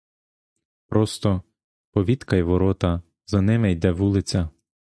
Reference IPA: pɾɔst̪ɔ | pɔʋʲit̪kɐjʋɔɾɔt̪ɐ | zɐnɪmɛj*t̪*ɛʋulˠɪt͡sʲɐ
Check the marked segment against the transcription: incorrect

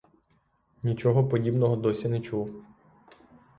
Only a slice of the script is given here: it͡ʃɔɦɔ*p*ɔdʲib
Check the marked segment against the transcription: correct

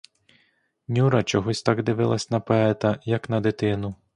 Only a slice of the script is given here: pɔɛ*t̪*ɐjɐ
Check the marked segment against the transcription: correct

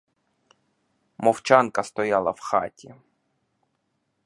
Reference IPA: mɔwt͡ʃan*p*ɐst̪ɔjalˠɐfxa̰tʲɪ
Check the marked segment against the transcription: incorrect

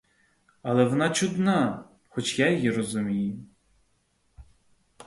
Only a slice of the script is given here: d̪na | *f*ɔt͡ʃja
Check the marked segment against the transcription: incorrect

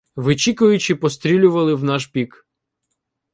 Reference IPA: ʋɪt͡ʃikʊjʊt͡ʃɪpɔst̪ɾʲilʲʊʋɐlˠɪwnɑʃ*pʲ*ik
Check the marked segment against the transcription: correct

